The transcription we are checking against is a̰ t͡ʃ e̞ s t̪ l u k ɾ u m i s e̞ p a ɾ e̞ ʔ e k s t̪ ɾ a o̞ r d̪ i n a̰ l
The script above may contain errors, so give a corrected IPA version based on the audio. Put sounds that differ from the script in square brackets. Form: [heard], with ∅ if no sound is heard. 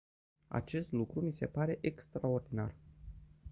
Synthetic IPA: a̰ t͡ʃ e̞ s t̪ l u k ɾ u m i s e̞ p a ɾ e̞ ʔ e k s t̪ ɾ a o̞ r d̪ i n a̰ [r]